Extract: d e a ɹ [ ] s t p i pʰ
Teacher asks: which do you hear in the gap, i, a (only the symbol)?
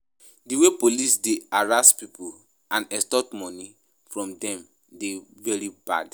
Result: a